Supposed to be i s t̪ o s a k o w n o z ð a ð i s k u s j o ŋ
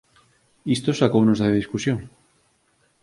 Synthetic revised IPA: i s t̪ o s a k o w n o z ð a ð i s k u s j o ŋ